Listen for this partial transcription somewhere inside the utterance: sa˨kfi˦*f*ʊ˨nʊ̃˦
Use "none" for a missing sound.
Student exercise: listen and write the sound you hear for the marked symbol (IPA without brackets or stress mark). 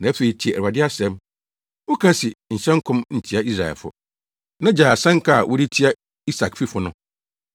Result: f